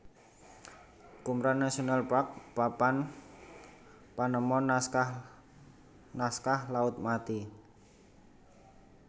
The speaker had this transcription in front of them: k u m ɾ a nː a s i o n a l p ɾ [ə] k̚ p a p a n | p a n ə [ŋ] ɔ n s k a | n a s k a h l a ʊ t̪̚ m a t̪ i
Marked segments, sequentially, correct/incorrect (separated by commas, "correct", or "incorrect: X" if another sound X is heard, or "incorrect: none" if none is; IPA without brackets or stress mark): incorrect: a, incorrect: m